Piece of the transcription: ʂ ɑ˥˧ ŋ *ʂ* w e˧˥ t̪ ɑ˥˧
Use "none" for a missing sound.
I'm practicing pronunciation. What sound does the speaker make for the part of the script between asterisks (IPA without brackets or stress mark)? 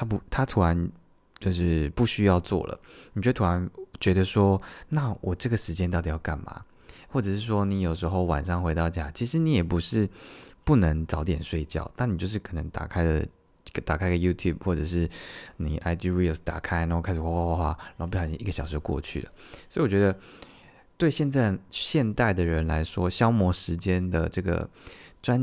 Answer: x